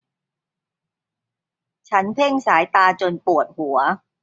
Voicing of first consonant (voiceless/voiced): voiceless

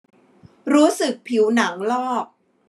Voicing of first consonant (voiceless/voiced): voiced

